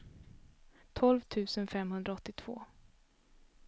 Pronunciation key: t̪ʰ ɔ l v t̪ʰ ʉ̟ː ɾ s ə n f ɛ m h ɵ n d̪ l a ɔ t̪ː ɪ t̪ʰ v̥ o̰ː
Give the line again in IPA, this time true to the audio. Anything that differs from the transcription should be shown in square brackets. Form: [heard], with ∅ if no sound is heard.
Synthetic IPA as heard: t̪ʰ ɔ l v t̪ʰ ʉ̟ː [∅] s ə n f ɛ m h ɵ n d̪ [ɾ] a ɔ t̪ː ɪ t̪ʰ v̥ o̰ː

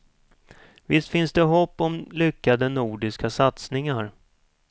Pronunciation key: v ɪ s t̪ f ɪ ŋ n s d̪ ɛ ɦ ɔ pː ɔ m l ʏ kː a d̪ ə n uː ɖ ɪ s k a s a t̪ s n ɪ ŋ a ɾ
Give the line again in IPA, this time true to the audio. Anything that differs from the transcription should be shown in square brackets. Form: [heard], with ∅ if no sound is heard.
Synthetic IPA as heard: v ɪ s t̪ f ɪ [∅] n s d̪ ɛ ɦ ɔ pː ɔ m l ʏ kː a d̪ ə n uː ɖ ɪ s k a s a t̪ s n ɪ ŋ a ɾ

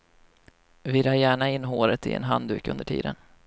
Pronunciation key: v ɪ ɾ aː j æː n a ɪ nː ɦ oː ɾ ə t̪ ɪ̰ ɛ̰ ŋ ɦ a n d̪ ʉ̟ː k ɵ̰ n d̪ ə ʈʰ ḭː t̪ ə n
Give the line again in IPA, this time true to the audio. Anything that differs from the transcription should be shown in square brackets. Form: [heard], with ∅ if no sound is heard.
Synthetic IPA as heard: v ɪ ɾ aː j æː [ɳ] a ɪ nː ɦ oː ɾ ə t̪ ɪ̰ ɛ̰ [n] ɦ a n d̪ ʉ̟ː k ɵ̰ n d̪ ə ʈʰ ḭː [d̪] ə n

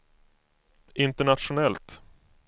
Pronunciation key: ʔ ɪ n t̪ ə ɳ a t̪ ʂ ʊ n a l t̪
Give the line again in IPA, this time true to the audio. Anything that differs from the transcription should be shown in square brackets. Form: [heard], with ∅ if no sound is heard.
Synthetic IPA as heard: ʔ ɪ n t̪ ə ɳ a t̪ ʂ ʊ n [ɛ] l t̪

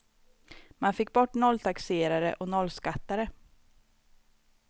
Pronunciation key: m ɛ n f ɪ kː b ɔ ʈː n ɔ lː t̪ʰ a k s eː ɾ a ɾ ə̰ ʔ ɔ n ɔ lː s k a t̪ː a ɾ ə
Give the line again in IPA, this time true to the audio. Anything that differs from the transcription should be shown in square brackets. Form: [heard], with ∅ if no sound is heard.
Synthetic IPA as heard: m [a] n f ɪ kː b ɔ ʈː n ɔ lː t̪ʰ a k s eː ɾ a ɾ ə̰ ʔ ɔ n ɔ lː s k a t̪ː a ɾ ə

